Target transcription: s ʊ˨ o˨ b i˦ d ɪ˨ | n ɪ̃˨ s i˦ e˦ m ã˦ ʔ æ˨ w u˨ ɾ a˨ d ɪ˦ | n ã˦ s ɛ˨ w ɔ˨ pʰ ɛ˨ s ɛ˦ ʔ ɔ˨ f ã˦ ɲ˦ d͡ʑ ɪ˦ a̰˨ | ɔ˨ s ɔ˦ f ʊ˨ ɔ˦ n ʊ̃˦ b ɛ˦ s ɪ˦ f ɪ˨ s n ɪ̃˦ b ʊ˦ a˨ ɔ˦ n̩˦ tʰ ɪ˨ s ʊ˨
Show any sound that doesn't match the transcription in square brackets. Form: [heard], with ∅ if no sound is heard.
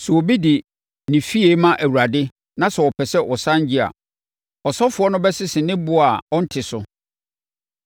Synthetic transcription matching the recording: s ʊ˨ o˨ b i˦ d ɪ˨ | n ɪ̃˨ [f] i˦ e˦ m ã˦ ʔ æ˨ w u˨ ɾ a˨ d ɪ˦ | n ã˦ s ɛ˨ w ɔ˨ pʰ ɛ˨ s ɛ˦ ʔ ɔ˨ [s] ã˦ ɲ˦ d͡ʑ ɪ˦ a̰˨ | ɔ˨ s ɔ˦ f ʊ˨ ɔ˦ n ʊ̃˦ b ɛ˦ s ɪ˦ [s] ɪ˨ [∅] n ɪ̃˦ b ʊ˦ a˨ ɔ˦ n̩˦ tʰ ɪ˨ s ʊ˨